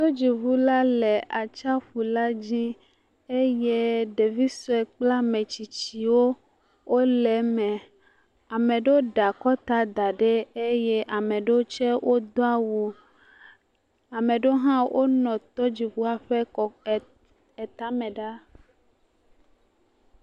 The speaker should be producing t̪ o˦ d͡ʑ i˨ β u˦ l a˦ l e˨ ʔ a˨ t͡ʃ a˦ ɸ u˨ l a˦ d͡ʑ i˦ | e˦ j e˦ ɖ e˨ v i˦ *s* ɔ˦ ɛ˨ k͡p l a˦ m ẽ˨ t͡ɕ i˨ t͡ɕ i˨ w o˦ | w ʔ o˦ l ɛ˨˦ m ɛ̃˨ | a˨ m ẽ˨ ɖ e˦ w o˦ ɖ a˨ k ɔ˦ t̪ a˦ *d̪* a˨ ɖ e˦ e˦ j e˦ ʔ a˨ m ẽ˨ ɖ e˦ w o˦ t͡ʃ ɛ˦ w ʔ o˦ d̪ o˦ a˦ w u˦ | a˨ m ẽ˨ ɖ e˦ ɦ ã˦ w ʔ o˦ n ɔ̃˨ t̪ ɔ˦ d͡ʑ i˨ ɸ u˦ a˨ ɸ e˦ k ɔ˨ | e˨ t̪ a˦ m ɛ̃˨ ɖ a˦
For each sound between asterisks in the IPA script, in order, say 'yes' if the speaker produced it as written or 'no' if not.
yes, yes

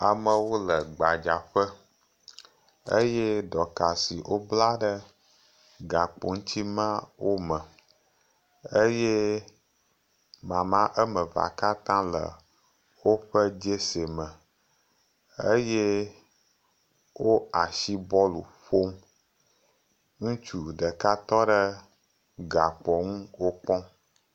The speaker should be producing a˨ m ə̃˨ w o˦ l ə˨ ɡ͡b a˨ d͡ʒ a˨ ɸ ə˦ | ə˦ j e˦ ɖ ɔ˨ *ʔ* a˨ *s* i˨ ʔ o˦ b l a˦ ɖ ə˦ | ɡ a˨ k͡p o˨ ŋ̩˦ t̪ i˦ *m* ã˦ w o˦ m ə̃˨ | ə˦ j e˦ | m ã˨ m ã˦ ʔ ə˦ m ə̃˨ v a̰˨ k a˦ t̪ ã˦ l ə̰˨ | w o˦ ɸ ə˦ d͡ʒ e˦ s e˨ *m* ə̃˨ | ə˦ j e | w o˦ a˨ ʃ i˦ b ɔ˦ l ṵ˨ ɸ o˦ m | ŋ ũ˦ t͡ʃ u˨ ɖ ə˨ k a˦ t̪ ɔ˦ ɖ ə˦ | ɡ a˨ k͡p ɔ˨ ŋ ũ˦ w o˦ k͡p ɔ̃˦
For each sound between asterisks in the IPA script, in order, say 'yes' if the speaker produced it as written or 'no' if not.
no, yes, yes, yes

